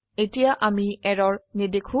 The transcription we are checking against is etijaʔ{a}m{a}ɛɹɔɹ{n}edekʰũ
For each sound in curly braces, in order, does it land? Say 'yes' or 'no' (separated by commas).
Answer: yes, no, yes